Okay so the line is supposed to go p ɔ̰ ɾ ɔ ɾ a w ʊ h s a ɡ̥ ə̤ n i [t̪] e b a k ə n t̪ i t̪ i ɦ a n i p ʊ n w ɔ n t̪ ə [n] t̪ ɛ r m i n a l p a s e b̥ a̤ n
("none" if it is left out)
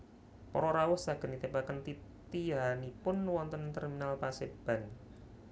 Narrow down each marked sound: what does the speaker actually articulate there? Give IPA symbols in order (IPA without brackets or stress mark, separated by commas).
t̪, n